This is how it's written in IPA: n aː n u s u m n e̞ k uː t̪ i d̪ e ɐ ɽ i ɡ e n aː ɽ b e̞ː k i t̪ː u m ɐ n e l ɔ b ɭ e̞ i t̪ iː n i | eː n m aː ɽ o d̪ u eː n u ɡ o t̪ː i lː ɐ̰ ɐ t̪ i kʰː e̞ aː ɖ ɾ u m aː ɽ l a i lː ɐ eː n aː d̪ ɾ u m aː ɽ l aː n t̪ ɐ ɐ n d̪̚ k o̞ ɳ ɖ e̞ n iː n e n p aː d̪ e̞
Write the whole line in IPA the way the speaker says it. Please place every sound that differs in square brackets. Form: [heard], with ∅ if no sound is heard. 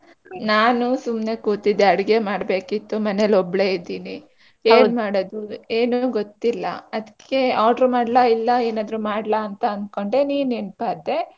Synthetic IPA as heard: n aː n u s u m n e̞ k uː t̪ i d̪ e ɐ ɽ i ɡ e [m] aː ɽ b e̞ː k i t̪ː u m ɐ n e l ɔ b ɭ e̞ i [d̪] iː n i | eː n m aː ɽ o d̪ u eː n u ɡ o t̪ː i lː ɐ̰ ɐ [d̪] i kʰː e̞ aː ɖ ɾ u m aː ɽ l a i lː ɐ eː n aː d̪ ɾ u m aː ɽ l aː n t̪ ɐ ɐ n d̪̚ k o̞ ɳ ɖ e̞ n iː n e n p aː d̪ e̞